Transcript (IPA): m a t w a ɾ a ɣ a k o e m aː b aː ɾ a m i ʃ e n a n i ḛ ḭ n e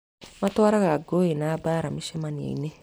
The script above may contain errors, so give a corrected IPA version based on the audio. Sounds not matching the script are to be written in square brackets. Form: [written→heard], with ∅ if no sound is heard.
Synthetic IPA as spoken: m a t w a ɾ a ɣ a [k→ɡ] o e [m→n] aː b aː ɾ a m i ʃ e [n→m] a n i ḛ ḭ n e